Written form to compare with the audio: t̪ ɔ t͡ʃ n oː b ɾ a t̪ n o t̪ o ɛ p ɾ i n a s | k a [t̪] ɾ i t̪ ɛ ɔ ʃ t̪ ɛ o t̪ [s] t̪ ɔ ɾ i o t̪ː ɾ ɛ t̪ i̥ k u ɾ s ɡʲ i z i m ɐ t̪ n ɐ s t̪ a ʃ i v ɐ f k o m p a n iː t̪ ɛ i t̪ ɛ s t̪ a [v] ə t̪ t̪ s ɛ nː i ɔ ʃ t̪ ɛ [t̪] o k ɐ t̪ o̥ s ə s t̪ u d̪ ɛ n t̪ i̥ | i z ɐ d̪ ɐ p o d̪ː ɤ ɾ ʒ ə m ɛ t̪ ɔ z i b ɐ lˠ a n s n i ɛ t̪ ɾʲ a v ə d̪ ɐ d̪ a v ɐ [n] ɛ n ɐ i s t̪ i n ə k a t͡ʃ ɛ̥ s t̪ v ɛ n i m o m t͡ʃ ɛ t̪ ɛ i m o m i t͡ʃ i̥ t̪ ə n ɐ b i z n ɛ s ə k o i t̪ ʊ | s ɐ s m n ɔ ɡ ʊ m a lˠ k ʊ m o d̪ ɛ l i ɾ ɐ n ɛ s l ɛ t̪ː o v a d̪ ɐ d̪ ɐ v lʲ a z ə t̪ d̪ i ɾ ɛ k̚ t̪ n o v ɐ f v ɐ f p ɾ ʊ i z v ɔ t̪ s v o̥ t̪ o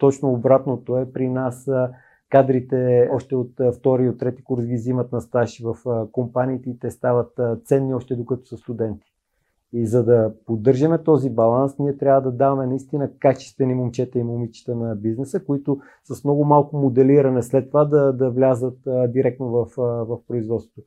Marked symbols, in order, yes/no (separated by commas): no, no, yes, no, no